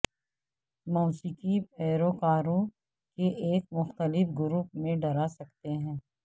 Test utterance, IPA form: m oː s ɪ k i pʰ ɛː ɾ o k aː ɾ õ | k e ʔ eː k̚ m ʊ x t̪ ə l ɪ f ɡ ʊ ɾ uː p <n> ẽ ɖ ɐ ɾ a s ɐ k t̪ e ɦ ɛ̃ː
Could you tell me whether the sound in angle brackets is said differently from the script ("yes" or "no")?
yes